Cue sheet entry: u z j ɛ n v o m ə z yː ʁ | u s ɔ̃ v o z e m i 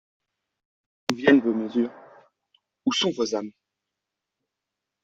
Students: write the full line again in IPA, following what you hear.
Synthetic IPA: u v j ɛ n v o m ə z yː ʁ | u s ɔ̃ v o z a m i